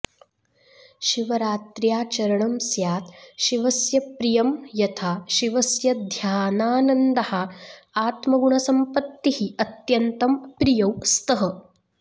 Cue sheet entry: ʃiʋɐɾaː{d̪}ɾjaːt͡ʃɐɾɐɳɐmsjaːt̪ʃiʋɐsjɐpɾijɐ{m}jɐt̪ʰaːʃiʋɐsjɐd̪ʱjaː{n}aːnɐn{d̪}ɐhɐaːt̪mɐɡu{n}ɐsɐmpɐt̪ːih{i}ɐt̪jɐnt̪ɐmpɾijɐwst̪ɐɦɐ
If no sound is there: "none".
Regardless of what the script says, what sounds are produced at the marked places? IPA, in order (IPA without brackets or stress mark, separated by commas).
t̪, m, n, d̪, ɳ, i